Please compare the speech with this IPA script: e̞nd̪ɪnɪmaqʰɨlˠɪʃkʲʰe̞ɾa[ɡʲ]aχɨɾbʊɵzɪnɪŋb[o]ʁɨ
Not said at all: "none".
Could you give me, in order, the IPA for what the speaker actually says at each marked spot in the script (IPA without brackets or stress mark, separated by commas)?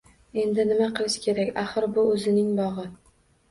kʲ, ɒ